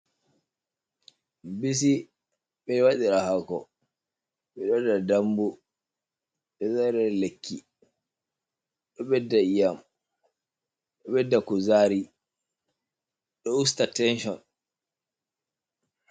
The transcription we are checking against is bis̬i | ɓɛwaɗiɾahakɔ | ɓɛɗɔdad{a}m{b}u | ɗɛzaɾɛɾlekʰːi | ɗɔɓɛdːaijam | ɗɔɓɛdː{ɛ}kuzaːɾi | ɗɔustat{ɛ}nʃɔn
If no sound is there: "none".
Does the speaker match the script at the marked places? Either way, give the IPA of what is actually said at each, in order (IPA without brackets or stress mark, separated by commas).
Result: a, b, a, ɛ